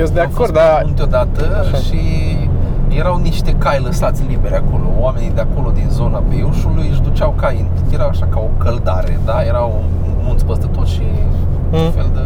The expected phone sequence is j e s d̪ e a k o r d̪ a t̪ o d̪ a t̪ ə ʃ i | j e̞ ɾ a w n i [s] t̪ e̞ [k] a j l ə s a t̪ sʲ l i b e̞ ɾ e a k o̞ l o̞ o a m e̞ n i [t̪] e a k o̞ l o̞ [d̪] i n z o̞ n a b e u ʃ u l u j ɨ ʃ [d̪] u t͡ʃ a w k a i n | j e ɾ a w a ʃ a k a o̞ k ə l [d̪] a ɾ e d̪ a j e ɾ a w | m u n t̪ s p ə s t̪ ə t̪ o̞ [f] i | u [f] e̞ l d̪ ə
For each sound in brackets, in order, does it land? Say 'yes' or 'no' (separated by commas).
no, yes, no, yes, yes, yes, no, yes